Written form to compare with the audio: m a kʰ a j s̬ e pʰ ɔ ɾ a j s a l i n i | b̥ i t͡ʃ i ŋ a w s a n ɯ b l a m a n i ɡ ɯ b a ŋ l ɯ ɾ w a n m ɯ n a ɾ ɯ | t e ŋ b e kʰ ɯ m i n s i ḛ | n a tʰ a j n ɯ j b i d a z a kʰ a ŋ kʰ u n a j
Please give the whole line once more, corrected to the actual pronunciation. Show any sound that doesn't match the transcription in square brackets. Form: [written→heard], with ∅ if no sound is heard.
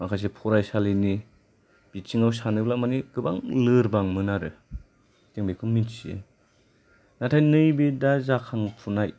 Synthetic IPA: m a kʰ a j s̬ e pʰ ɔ ɾ a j s a l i n i | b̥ i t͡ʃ i ŋ a w s a n ɯ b l a m a n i ɡ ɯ b a ŋ l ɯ ɾ [w→b] a [n→ŋ] m ɯ n a ɾ ɯ | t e ŋ b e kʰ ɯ m i n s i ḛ | n a tʰ a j n ɯ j b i d a z a kʰ a ŋ [kʰ→pʰ] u n a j